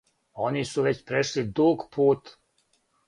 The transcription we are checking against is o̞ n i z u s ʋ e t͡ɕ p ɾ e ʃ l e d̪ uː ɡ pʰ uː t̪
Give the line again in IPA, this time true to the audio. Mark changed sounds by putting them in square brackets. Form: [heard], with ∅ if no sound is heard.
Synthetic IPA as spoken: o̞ n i [s] u [∅] ʋ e t͡ɕ p ɾ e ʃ l [i] d̪ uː ɡ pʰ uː t̪